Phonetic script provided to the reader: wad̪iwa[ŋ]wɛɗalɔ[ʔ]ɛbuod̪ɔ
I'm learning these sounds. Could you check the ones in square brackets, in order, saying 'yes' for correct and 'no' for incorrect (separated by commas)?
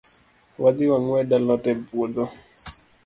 yes, no